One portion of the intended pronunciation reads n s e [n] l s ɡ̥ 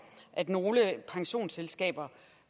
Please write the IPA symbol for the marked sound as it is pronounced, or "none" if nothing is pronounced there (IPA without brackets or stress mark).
none